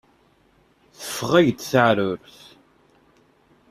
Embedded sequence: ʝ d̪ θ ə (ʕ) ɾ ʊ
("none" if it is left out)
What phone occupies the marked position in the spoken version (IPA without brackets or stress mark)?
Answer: ʕ